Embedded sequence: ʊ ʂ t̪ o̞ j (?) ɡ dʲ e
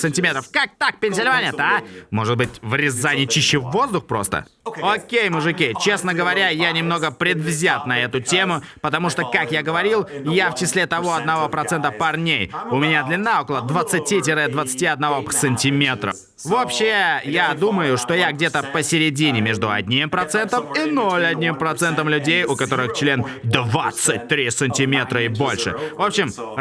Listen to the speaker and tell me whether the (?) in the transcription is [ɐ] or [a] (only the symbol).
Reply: a